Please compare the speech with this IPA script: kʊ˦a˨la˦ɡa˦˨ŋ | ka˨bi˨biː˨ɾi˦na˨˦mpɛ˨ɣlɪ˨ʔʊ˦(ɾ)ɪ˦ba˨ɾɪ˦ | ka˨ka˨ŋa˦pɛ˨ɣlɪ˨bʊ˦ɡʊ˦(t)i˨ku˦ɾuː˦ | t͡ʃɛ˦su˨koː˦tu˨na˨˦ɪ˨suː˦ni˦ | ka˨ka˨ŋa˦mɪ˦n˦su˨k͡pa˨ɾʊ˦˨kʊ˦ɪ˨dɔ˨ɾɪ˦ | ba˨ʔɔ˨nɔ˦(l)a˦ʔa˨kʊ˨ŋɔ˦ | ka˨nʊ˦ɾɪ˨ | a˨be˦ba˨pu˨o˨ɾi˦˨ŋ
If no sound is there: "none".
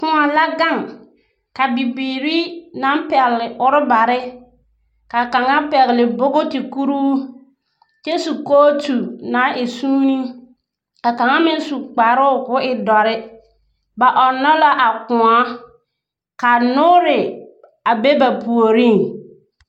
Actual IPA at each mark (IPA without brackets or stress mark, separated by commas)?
ɾ, t, l